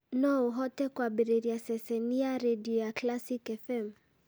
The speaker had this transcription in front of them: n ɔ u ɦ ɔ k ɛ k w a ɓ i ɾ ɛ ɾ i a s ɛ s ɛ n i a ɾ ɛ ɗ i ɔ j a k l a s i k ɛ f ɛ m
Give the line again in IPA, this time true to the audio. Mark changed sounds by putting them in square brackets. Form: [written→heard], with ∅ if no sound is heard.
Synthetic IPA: n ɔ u ɦ ɔ [k→t] ɛ k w a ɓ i ɾ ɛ ɾ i a s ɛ s ɛ n i a ɾ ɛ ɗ i ɔ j a k l a s i k ɛ f ɛ m